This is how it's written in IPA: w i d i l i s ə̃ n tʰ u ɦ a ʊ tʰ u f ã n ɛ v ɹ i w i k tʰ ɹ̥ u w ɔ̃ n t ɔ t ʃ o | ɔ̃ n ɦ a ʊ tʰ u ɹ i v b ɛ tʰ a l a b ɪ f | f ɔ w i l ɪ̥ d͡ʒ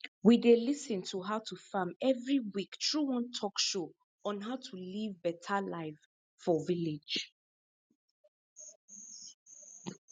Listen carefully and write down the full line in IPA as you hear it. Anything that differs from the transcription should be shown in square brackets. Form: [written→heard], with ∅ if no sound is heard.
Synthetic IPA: w i d [i→e] l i s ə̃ n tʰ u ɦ a ʊ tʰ u f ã [n→m] ɛ v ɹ i w i k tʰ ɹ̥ u w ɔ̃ n [t→tʰ] ɔ [t→k] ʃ o | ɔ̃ n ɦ a ʊ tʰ u [ɹ→l] i v b ɛ tʰ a l a [b→∅] ɪ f | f ɔ [w→v] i l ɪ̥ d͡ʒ